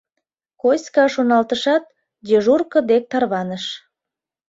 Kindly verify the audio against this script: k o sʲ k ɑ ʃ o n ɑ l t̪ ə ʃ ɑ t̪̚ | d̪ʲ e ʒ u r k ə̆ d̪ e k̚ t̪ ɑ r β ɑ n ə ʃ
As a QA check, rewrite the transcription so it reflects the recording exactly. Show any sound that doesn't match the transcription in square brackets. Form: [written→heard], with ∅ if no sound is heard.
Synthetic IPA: k o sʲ k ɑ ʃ o n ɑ l t̪ ə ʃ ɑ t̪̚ | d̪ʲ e ʒ u r k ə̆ d̪ e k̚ t̪ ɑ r β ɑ n ə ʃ